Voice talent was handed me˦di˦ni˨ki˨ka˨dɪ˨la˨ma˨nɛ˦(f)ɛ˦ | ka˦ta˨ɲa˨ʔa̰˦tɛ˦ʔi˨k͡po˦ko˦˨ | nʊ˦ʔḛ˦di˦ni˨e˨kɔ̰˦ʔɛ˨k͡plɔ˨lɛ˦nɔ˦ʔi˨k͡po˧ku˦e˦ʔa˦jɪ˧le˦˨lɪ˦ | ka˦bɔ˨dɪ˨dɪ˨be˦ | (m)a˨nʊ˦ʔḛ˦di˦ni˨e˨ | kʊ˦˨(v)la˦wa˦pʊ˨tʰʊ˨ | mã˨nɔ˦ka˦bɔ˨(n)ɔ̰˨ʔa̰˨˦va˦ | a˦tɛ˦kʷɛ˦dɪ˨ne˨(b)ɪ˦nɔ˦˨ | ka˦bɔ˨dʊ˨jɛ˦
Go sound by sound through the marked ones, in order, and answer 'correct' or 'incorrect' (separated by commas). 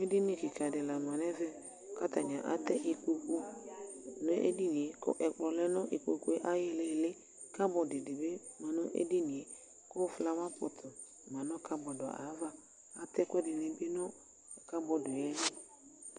incorrect, correct, incorrect, incorrect, correct